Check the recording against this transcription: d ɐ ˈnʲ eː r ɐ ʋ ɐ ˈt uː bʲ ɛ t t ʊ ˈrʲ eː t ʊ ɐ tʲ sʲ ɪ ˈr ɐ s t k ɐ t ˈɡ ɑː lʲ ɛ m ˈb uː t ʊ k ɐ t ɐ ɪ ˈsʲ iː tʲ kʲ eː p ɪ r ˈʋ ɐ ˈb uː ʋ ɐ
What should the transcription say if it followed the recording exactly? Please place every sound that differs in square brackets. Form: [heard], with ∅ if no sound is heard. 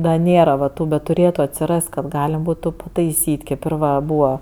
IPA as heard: d ɐ ˈnʲ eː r ɐ ʋ ɐ ˈt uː bʲ ɛ t t ʊ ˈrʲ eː t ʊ ɐ tʲ sʲ ɪ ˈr ɐ s t k ɐ t ˈɡ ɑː lʲ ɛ m ˈb uː t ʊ [p] ɐ t ɐ ɪ ˈsʲ iː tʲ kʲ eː p ɪ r ˈʋ ɐ ˈb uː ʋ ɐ